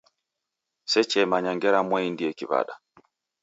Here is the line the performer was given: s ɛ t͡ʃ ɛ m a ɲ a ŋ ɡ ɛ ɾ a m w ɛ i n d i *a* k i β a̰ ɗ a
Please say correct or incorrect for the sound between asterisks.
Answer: incorrect